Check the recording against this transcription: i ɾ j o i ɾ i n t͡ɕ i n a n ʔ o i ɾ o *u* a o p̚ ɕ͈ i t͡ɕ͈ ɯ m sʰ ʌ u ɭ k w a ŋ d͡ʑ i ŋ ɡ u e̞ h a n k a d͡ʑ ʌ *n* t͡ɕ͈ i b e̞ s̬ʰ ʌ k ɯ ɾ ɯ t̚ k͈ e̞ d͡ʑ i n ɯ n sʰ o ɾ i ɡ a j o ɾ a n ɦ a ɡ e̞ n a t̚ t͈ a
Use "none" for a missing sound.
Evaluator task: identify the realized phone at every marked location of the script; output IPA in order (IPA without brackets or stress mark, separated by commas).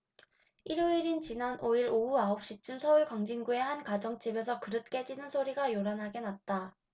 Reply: u, ŋ